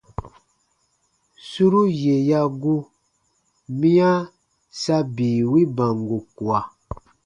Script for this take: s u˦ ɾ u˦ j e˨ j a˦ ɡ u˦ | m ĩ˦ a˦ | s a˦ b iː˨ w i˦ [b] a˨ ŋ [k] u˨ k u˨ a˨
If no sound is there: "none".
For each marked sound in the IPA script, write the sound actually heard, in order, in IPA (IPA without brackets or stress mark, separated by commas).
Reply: b, ɡ